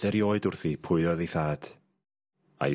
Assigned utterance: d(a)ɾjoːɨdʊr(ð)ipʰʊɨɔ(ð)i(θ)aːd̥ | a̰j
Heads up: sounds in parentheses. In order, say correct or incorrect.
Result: incorrect, incorrect, correct, correct

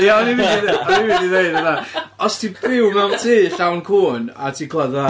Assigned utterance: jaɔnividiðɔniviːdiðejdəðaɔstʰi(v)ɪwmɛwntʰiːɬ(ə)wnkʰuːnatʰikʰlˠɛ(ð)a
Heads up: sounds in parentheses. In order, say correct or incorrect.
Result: incorrect, incorrect, correct

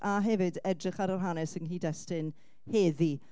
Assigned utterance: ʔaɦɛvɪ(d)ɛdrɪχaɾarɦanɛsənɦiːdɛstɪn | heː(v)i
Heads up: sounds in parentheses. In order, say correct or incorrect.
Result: correct, incorrect

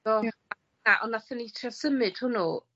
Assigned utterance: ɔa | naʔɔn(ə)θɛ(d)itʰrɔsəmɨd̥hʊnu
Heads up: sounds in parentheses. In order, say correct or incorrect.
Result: incorrect, incorrect

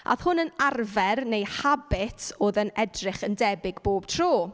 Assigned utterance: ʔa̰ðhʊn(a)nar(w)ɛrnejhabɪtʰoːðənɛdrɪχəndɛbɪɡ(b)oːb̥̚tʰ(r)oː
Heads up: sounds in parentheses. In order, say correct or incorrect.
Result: incorrect, incorrect, correct, correct

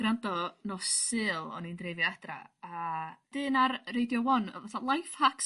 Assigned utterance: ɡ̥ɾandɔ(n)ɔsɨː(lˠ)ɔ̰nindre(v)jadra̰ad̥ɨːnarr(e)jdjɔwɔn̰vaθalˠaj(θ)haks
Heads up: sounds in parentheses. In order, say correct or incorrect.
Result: correct, correct, correct, correct, incorrect

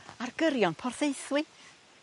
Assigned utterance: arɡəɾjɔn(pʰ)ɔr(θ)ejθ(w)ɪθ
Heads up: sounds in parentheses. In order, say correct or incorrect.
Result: correct, correct, correct

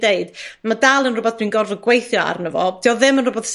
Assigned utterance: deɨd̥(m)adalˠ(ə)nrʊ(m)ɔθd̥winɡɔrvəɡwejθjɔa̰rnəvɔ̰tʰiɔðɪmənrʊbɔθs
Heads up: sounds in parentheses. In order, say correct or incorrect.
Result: correct, correct, incorrect

